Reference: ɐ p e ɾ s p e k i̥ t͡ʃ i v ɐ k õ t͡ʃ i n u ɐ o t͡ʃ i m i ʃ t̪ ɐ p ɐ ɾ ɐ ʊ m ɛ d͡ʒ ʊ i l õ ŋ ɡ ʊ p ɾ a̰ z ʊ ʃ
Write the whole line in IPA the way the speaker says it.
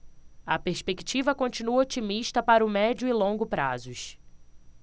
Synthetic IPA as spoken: ɐ p e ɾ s p e k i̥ t͡ʃ i v ɐ k õ t͡ʃ i n u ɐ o t͡ʃ i m i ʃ t̪ ɐ p a ɾ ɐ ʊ m ɛ d͡ʒ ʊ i l õ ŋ ɡ ʊ p ɾ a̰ z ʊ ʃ